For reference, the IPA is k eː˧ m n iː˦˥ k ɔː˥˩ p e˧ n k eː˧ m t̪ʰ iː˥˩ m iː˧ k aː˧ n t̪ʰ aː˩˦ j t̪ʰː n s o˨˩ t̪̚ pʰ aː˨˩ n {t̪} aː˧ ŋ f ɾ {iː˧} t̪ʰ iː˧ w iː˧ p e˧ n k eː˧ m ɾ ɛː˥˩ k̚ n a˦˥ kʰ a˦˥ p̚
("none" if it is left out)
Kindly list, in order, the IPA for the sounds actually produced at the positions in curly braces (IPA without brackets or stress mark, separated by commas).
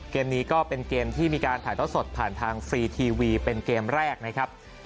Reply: t̪ʰ, iː˧